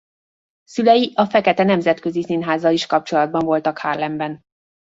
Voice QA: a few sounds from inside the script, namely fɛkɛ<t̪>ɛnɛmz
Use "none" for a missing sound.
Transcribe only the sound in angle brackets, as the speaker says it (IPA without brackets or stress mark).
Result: t̪